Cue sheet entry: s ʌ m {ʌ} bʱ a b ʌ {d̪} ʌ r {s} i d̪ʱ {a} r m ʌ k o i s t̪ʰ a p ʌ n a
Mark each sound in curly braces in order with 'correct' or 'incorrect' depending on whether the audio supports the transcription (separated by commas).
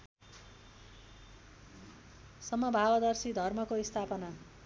correct, correct, correct, incorrect